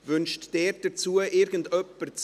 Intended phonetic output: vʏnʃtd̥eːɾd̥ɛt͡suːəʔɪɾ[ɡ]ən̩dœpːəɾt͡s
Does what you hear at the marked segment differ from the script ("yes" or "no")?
no